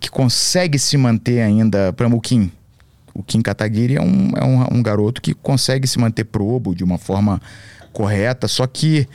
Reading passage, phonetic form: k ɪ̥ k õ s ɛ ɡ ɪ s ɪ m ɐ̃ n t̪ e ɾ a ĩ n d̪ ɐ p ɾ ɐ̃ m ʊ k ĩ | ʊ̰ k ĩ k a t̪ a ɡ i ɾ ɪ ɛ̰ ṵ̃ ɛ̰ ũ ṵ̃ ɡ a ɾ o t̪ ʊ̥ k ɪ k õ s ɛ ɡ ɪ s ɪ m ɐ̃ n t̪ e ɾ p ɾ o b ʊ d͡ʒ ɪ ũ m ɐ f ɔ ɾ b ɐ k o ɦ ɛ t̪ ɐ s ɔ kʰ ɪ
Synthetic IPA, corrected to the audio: k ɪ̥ k õ s ɛ ɡ ɪ s ɪ m ɐ̃ n t̪ e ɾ a ĩ n d̪ ɐ p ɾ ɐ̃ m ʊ k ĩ | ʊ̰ k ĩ k a t̪ a ɡ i ɾ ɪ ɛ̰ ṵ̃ ɛ̰ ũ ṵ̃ ɡ a ɾ o t̪ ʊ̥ k ɪ k õ s ɛ ɡ ɪ s ɪ m ɐ̃ n t̪ e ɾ p ɾ o b ʊ d͡ʒ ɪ ũ m ɐ f ɔ ɾ m ɐ k o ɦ ɛ t̪ ɐ s ɔ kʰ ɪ